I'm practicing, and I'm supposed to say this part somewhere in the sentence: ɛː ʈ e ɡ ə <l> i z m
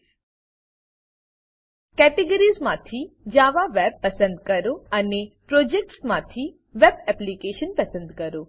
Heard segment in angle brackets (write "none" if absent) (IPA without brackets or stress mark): ɾ